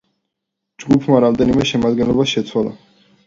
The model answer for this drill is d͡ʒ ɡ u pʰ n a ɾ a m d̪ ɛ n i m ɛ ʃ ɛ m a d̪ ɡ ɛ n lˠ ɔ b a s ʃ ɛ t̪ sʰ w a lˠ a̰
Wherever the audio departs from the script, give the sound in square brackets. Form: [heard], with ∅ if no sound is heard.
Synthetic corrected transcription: d͡ʒ ɡ u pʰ [m] a ɾ a m d̪ ɛ n i m ɛ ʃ ɛ m a d̪ ɡ ɛ n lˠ ɔ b a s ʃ ɛ t̪ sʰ w a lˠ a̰